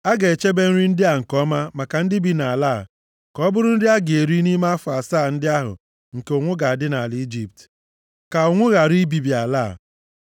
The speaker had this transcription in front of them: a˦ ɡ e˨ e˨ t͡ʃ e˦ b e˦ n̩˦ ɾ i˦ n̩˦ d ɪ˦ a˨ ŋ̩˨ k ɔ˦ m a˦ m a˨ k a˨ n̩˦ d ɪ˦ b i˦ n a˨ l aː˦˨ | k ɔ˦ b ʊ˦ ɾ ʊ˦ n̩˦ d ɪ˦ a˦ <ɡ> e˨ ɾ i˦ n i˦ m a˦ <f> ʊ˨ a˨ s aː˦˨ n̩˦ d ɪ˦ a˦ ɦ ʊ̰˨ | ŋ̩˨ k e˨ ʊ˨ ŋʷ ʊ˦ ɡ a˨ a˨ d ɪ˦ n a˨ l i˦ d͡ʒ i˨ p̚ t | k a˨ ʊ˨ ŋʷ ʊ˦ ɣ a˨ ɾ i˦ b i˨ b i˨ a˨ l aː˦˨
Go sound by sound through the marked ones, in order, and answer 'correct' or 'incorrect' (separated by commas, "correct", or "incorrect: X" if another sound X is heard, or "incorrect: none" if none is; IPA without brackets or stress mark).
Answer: correct, correct